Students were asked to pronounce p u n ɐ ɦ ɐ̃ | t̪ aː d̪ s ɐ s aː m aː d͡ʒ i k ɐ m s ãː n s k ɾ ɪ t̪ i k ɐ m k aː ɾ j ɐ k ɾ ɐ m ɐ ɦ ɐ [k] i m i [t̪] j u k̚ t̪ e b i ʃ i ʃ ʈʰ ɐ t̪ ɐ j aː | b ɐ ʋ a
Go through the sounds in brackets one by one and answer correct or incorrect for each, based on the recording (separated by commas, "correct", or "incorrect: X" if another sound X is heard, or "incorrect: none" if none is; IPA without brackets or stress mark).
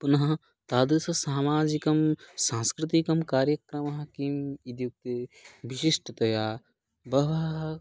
correct, incorrect: d̪